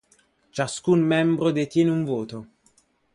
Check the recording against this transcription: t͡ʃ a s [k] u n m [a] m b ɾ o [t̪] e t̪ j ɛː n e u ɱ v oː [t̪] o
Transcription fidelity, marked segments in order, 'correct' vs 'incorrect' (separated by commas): correct, incorrect, incorrect, correct